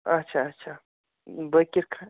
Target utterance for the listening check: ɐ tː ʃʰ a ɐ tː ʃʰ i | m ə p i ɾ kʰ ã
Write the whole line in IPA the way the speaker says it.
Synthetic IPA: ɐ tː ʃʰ a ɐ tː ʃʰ a | b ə k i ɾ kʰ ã